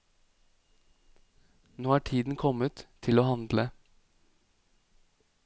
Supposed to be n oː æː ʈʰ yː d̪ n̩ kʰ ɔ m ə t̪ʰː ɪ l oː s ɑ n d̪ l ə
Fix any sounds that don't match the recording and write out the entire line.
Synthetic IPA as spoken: n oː æː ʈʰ iː d̪ n̩ kʰ ɔ m ə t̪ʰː ɪ l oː h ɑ n d̪ l ə

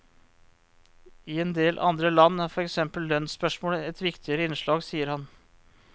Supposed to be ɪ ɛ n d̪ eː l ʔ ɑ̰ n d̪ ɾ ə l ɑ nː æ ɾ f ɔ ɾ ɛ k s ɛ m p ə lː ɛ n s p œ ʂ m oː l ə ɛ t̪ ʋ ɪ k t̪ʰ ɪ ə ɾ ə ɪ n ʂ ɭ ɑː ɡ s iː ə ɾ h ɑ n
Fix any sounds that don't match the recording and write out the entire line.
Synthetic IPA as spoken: ɪ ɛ n d̪ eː l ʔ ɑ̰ n d̪ ɾ ə l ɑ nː æ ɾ f ɔ ɾ ɛ k s ɛ m p ə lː œ n s p œ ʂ m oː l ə ɛ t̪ ʋ ɪ k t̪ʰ ɪ ə ɾ ə ɪ n ʂ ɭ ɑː ɡ s iː ə ɾ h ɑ n

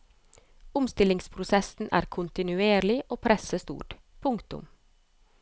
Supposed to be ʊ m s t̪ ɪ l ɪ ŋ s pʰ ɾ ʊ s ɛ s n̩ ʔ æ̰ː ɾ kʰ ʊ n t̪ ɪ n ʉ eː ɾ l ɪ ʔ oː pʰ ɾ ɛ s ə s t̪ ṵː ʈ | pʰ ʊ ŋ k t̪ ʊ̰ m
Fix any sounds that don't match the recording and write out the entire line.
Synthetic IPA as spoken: ʊ m s t̪ ɪ l ɪ ŋ s pʰ ɾ ʊ s ɛ s n̩ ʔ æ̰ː ɾ kʰ ʊ n t̪ ɪ n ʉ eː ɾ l ɪ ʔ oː pʰ ɾ ɛ s ə s t̪ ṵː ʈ | pʰ ʊ ŋ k t̪ ʊ̰ m

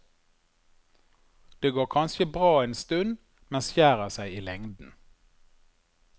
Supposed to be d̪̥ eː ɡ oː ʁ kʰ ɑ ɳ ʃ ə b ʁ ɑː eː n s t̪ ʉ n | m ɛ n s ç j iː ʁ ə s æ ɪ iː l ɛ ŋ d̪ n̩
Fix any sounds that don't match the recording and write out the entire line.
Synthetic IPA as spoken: d̪̥ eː ɡ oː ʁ kʰ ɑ n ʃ ə b ʁ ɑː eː n s t̪ ʉ n | m ɛ n s ç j æː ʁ ə s æ ɪ iː l ɛ ŋ d̪ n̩

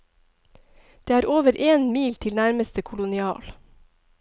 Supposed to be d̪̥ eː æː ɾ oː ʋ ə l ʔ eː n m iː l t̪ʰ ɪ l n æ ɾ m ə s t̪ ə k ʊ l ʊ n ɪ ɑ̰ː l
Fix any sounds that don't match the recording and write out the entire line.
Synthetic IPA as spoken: d̪̥ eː æː ɾ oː ʋ ə ɾ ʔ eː n m iː l t̪ʰ ɪ l n æ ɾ m ə s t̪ ə kʰ ʊ l ʊ n ɪ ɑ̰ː l

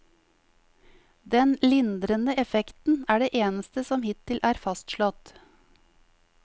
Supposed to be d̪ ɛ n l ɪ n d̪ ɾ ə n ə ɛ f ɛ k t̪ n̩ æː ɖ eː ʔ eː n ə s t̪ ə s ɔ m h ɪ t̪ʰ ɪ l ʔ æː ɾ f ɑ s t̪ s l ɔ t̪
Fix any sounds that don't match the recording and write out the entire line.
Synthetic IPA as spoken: d̪ ɛ n l ɪ n d̪ ɾ ə n ə ɛ f ɛ k t̪ n̩ æː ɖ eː ʔ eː n ə s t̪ ə s ɔ m h ɪ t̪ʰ ɪ l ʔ æː ɾ f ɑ s t̪ ʃ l ɔ t̪

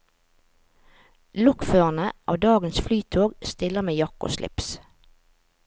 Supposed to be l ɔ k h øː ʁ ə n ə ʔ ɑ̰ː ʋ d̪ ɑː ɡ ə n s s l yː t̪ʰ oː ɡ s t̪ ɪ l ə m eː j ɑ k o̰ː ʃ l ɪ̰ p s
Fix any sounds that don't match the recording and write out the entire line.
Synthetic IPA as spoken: l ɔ k f øː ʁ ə n ə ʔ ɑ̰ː ʋ d̪ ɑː ɡ ə n s f l yː t̪ʰ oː ɡ s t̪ ɪ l ə m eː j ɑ k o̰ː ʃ l ɪ̰ p s

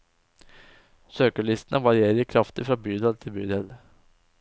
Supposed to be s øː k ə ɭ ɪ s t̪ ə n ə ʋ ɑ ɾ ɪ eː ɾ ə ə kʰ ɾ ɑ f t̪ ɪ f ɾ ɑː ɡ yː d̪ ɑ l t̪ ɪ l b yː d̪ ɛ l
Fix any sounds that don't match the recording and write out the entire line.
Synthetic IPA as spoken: s øː k ə ɭ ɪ s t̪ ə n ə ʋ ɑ ɾ ɪ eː ɾ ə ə kʰ ɾ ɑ f t̪ ɪ f ɾ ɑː b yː d̪ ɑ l t̪ʰ ɪ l b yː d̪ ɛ l

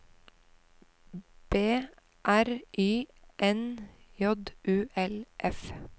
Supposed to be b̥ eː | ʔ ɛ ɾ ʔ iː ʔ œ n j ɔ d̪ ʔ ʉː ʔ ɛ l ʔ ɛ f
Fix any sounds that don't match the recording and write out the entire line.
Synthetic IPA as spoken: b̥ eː | ʔ æ ɾ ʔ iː ʔ ɛ n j ɔ d̪ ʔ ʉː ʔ ɛ l ʔ ɛ f

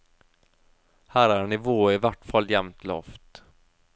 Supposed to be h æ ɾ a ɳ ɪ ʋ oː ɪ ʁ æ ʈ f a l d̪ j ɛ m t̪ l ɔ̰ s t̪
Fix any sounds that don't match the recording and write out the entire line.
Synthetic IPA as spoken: h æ ɾ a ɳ ɪ v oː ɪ v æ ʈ f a l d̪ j ɛ m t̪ l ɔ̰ f t̪

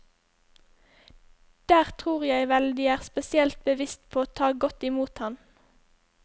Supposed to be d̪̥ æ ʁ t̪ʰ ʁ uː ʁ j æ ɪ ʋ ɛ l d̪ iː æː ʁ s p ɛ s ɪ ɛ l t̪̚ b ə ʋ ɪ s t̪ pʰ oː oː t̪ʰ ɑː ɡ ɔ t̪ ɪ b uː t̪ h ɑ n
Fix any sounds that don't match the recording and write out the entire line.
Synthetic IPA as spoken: d̪̥ æː ʁ t̪ʰ ʁ uː ʁ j æ ɪ ʋ ɛ l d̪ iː æː ʁ s p ɛ s ɪ ɛ l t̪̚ b ə ʋ ɪ s t̪ pʰ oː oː t̪ʰ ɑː ɡ ɔ t̪ ɪ m uː t̪ h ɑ n

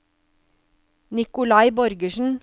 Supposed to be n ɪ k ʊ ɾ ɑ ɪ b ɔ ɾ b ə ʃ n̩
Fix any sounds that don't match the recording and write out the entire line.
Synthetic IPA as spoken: n ɪ k ʊ l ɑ ɪ b ɔ ɾ ɡ ə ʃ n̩

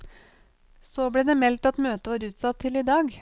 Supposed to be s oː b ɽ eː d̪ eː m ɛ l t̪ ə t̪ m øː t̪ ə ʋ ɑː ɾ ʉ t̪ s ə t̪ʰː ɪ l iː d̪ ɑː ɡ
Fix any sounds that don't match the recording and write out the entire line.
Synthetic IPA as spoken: s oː b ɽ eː d̪ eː m ɛ l t̪ ɑ t̪ m øː t̪ ə ʋ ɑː ɾ ʉː t̪ s ɑ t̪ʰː ɪ l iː d̪ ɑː ɡ

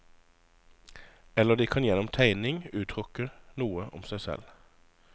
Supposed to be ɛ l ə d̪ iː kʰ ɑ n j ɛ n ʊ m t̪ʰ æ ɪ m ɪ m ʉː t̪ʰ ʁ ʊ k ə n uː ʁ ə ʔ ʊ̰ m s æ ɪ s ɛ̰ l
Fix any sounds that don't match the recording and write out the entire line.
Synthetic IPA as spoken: ɛ l ə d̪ iː kʰ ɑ n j ɛ n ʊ m t̪ʰ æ ɪ n ɪ ŋ ʉː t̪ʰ ʁ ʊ k ə n uː ə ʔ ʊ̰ m s æ ɪ s ɛ̰ l

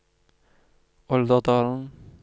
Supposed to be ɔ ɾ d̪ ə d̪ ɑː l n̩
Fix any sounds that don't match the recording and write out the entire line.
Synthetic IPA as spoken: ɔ l d̪ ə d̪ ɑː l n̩

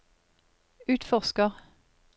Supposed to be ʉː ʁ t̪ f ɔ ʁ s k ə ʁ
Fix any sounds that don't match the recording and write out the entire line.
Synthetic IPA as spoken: ʉː t̪ f ɔ ʁ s k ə ʁ

